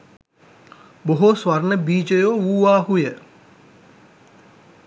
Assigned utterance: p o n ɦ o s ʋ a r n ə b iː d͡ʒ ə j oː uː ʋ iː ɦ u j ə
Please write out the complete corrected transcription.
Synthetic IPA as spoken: b o ɦ o s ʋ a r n ə b iː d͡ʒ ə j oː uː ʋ aː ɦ u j ə